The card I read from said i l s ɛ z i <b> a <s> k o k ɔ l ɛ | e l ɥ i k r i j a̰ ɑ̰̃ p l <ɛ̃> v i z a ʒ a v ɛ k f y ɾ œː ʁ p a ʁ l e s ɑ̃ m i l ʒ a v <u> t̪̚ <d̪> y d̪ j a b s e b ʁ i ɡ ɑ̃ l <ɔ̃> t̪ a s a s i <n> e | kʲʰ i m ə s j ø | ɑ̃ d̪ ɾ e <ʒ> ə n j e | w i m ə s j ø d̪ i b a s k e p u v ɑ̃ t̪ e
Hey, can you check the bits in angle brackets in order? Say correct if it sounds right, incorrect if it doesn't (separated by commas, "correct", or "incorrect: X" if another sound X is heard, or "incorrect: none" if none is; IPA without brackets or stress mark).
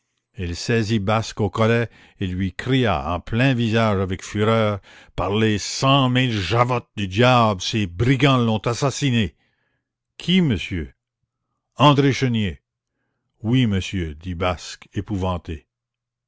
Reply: correct, correct, correct, incorrect: ɔ, correct, correct, correct, incorrect: ʃ